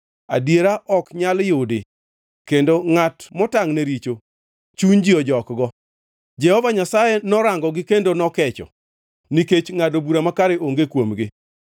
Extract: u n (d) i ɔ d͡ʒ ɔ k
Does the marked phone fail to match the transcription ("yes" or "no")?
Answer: yes